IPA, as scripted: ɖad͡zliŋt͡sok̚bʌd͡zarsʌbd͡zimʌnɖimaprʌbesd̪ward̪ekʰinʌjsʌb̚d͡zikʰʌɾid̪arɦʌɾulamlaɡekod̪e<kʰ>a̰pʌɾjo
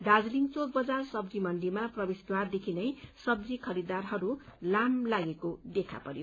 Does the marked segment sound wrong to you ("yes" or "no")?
no